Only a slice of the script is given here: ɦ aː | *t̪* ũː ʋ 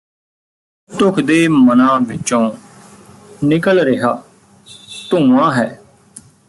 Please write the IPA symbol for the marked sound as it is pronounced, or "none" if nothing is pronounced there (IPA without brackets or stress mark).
t̪